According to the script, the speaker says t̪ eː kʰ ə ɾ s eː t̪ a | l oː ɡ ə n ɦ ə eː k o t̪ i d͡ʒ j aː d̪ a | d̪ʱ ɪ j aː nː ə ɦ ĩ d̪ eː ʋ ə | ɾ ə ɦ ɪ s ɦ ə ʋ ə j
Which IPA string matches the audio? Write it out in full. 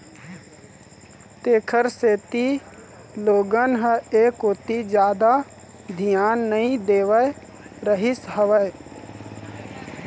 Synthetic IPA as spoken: t̪ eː kʰ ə ɾ s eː t̪ i | l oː ɡ ə n ɦ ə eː k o t̪ i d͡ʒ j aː d̪ a | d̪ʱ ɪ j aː nː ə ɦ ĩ d̪ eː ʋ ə | ɾ ə ɦ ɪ s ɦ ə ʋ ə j